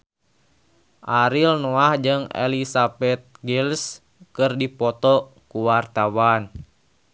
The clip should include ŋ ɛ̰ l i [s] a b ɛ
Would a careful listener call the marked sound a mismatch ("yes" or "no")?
no